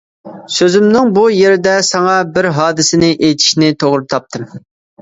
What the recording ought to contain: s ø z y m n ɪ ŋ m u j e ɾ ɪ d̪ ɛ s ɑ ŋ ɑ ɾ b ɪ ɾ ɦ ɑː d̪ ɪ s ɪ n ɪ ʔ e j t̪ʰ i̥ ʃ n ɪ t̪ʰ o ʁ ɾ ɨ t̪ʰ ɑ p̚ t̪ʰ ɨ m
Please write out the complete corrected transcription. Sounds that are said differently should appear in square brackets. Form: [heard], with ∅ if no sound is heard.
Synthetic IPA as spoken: s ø z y m n ɪ ŋ [b] u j e ɾ ɪ d̪ ɛ s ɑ ŋ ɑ [∅] b ɪ ɾ ɦ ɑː d̪ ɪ s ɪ n ɪ ʔ e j t̪ʰ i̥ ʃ n ɪ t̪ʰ o ʁ ɾ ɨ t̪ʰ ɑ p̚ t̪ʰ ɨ m